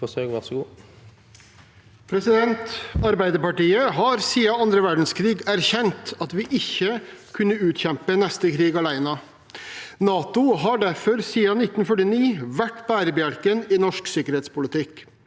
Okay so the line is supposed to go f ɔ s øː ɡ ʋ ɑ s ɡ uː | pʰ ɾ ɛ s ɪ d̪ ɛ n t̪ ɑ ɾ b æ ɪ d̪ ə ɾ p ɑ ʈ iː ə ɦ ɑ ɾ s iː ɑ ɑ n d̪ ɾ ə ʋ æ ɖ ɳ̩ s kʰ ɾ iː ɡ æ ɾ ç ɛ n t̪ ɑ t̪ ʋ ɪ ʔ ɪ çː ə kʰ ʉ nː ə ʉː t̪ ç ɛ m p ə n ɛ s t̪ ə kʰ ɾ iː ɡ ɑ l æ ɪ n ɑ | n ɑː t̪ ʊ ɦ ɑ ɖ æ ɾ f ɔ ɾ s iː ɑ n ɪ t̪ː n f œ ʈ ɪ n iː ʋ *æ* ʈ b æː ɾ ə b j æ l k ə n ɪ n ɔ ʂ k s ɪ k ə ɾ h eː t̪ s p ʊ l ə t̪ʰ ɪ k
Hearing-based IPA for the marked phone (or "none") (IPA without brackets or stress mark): æ